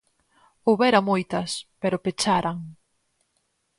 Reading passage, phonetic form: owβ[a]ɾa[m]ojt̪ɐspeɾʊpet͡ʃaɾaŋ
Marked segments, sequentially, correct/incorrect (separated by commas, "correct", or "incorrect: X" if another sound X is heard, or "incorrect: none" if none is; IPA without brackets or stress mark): incorrect: ɛ, correct